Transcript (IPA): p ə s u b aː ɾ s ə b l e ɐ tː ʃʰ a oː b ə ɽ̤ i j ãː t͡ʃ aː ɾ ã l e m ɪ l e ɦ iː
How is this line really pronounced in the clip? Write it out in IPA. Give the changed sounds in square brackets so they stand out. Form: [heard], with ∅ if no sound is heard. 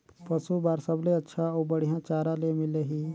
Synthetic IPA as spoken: p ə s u b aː ɾ s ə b l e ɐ tː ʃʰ a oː b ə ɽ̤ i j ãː t͡ʃ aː ɾ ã l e m ɪ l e ɦ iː